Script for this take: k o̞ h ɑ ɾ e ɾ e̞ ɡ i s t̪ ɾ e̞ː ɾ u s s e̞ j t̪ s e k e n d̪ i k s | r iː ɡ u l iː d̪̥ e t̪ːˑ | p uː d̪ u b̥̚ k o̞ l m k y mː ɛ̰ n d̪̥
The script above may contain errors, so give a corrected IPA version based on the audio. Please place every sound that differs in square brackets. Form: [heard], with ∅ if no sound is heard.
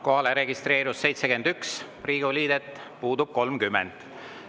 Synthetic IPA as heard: k o̞ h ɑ [l] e ɾ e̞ ɡ i s t̪ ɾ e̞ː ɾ u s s e̞ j t̪ s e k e n d̪ [y] k s | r iː ɡ u l iː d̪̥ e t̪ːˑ | p uː d̪ u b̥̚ k o̞ l m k y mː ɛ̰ n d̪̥